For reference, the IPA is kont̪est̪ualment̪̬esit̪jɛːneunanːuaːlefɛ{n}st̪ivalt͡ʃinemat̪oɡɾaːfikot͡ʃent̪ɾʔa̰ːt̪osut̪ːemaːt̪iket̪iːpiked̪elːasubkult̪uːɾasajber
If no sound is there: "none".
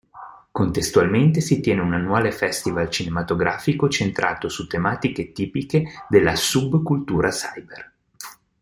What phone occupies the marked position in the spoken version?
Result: none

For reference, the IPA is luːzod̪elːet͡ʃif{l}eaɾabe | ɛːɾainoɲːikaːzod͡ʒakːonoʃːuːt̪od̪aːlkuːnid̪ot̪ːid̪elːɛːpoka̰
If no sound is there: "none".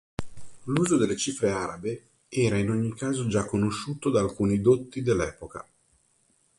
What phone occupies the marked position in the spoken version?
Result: ɾ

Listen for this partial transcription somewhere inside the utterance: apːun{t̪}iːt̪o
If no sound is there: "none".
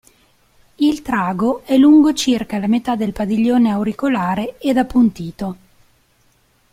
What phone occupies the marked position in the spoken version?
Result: t̪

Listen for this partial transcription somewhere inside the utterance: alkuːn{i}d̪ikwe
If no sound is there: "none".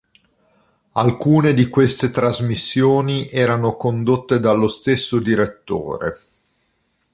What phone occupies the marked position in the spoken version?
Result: e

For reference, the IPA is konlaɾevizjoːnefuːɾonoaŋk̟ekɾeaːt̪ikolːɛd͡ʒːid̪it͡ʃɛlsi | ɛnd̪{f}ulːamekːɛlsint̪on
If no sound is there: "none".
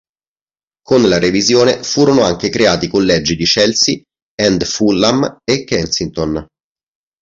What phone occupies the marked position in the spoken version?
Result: f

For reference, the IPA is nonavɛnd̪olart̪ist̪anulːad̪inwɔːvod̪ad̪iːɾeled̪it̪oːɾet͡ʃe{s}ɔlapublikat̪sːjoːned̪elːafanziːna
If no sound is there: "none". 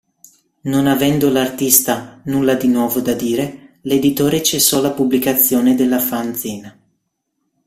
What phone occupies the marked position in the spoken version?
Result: sː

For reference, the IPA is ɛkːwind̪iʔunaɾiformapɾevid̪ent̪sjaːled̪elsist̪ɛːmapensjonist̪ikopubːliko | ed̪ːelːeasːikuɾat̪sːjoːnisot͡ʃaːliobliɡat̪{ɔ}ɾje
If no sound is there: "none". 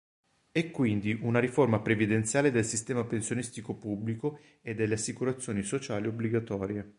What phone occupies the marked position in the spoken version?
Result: ɔː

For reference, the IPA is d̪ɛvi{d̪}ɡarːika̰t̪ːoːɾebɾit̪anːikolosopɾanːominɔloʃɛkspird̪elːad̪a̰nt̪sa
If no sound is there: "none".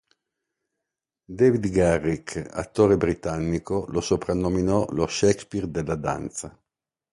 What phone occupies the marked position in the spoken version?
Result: d̪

